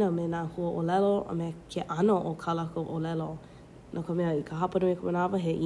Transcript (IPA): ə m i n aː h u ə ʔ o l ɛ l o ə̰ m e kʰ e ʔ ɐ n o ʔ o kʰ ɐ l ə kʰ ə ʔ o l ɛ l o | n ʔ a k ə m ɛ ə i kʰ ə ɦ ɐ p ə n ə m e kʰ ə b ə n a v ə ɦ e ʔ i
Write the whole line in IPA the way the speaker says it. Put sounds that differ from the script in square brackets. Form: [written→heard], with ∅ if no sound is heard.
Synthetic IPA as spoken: ə m [i→e] n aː h u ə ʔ o l ɛ l o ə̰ m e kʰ e ʔ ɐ n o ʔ o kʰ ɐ l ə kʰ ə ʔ o l ɛ l o | n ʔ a k ə m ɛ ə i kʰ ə ɦ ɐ p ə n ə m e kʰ ə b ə n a v ə ɦ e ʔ i